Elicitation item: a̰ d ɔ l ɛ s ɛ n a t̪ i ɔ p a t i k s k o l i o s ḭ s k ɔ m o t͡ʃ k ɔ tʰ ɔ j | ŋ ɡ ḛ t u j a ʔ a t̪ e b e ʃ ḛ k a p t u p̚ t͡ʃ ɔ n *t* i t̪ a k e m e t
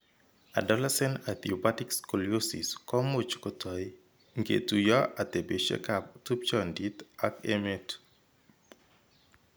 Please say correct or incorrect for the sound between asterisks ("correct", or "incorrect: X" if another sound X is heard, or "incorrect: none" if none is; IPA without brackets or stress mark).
incorrect: d